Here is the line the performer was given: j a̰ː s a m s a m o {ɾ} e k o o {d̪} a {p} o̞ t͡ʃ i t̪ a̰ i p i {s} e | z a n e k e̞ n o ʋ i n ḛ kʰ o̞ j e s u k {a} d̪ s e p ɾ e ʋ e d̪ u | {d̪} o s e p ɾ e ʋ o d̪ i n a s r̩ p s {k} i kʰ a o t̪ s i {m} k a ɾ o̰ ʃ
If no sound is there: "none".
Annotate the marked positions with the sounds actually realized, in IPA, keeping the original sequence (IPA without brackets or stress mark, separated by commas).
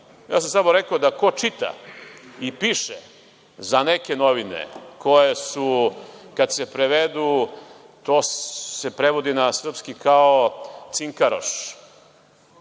ɾ, d̪, k, ʃ, a, t̪, k, ŋ